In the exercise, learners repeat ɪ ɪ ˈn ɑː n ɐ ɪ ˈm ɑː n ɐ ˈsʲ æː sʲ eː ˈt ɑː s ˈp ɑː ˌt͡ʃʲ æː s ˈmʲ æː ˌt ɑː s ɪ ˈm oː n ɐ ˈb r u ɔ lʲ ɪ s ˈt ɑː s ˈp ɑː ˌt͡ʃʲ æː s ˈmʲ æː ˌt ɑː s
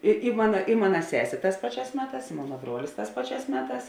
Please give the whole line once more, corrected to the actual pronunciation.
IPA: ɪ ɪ ˈm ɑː n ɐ ɪ ˈm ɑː n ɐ ˈsʲ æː sʲ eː ˈt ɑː s ˈp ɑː ˌt͡ʃʲ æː s ˈmʲ æː ˌt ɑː s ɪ ˈm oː n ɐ ˈb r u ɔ lʲ ɪ s ˈt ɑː s ˈp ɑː ˌt͡ʃʲ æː s ˈmʲ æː ˌt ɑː s